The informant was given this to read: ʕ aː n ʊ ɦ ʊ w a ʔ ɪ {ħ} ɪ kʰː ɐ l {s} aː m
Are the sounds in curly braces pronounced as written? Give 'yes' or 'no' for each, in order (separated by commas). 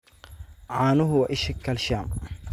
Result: no, no